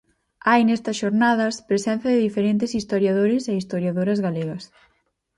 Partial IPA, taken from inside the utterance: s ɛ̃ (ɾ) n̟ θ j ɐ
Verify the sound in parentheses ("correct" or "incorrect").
incorrect